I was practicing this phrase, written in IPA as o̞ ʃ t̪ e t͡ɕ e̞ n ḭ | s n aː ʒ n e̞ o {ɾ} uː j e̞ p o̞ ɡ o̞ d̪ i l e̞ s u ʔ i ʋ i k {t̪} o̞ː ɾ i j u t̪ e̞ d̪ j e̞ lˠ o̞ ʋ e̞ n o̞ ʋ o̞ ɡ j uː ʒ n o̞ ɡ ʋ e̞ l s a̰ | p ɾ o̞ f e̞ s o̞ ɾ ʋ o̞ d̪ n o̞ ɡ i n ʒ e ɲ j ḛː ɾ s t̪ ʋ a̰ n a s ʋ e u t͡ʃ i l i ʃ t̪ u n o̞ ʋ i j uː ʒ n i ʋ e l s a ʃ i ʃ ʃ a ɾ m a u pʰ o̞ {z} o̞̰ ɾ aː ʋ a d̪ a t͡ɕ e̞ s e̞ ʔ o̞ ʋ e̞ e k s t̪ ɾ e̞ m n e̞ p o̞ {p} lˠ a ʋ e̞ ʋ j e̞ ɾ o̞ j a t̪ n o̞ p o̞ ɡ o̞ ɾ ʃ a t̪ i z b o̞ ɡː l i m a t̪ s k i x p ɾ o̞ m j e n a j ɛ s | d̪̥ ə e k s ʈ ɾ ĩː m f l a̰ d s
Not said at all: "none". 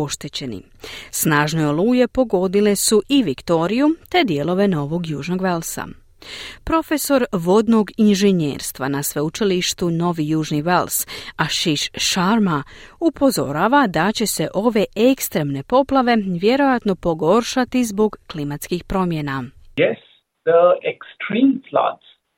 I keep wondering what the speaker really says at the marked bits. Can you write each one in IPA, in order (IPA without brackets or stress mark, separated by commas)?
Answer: l, t̪, z, p